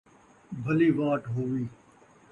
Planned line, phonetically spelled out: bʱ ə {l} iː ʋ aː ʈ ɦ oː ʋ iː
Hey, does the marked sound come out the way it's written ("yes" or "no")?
yes